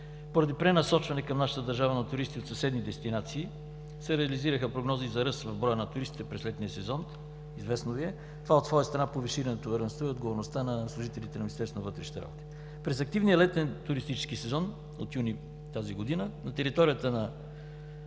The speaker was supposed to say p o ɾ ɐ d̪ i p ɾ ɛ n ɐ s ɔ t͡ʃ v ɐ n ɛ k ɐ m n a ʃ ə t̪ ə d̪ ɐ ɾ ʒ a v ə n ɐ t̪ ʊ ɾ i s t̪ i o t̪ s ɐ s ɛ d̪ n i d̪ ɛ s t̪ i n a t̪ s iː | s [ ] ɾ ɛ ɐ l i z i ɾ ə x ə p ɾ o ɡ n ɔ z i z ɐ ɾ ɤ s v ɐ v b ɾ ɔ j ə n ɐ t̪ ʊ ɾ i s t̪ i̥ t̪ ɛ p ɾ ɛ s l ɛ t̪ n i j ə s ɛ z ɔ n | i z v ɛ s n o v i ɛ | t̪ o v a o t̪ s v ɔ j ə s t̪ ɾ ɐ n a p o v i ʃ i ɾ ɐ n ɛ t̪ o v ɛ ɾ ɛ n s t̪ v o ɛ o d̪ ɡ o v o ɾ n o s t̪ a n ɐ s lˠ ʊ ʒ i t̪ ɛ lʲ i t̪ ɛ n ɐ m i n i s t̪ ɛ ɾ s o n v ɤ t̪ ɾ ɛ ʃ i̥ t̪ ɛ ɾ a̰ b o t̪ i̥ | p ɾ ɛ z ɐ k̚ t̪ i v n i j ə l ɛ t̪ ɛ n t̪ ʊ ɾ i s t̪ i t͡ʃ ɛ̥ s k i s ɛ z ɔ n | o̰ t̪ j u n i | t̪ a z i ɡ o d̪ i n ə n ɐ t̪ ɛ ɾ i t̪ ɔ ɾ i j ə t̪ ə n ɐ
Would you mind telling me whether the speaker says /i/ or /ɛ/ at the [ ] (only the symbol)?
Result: ɛ